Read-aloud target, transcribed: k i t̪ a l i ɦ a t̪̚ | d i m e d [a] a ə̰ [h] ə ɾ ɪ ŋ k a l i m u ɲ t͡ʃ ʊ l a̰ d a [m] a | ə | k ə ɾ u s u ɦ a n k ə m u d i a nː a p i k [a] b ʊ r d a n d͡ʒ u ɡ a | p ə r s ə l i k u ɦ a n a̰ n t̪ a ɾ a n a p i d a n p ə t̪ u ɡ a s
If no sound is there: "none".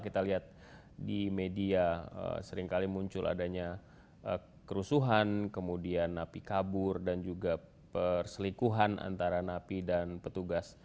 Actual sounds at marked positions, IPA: i, s, ɲ, a

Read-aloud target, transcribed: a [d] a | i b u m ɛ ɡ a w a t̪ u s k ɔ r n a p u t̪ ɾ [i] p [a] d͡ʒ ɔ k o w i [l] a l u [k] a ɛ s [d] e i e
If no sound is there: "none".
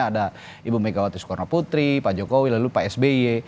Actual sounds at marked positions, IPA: d, i, a, l, p, b

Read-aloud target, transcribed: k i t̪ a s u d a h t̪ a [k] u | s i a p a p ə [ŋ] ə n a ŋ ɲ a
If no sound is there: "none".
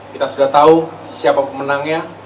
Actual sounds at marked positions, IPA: none, m

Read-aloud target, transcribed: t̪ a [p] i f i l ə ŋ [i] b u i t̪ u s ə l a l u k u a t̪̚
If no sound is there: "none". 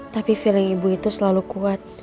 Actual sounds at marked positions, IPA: p, i

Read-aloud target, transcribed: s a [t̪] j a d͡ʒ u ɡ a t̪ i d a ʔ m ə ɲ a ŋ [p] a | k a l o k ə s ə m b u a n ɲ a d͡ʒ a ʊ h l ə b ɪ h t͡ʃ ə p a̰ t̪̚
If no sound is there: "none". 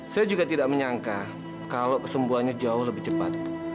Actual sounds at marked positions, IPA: none, k

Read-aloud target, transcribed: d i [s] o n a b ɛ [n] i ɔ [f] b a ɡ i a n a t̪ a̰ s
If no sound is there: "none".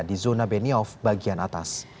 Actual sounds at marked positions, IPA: z, n, f

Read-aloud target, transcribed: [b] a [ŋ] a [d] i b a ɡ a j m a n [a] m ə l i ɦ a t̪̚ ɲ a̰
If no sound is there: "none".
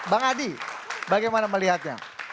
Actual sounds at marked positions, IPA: b, ŋ, d, a

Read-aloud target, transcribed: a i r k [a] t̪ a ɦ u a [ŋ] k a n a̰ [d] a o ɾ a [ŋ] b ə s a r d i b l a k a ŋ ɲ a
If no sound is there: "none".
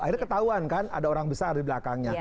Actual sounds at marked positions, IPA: ə, n, d, ŋ

